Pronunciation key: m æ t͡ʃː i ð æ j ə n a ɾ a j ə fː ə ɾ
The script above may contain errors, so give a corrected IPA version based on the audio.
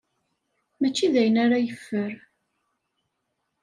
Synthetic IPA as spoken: m æ t͡ʃː i ð æ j ə n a ɾ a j ə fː ə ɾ